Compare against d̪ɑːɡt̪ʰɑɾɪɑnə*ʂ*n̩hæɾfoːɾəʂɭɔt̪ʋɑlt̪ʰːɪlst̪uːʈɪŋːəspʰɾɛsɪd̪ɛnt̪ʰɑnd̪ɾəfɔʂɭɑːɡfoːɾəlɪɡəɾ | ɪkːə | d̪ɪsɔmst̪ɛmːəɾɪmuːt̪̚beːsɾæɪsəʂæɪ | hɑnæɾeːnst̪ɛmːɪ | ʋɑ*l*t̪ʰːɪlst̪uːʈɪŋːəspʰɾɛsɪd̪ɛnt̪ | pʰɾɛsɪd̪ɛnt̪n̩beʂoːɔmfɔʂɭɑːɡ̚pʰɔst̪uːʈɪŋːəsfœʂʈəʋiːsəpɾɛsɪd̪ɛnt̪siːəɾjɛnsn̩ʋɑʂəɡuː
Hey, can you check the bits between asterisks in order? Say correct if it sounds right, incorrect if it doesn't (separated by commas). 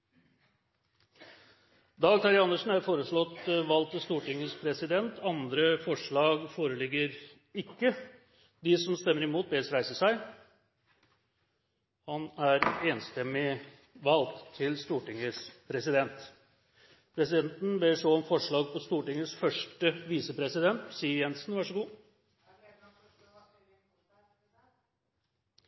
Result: correct, correct